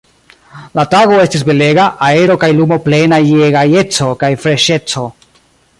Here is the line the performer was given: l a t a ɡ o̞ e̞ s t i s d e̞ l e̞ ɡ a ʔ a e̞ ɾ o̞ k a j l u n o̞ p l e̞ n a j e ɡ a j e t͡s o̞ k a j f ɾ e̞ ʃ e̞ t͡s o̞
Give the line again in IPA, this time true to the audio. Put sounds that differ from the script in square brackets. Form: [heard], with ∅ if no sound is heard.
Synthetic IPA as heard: l a t a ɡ o̞ e̞ s t i s [b] e̞ l e̞ ɡ a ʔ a e̞ ɾ o̞ k a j l u [m] o̞ p l e̞ n a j e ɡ a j e t͡s o̞ k a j f ɾ e̞ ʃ e̞ t͡s o̞